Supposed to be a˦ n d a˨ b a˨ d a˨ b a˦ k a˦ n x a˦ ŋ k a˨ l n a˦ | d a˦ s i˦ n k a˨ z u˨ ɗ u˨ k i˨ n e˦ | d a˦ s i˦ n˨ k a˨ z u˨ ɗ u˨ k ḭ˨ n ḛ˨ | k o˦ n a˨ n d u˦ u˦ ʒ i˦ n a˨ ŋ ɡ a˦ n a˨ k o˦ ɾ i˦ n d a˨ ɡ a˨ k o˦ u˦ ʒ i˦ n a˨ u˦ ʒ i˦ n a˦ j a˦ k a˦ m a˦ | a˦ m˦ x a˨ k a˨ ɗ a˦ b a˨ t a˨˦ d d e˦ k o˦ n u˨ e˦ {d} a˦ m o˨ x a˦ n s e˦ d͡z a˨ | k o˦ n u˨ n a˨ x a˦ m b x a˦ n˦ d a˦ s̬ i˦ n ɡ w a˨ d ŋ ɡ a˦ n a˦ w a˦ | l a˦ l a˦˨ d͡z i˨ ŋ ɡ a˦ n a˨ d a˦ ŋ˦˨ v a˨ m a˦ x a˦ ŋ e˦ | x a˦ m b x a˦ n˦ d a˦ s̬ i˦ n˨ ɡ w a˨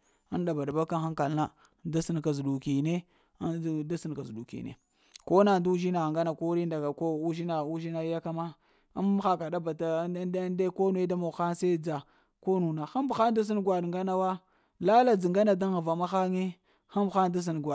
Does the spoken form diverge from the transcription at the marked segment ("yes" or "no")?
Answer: no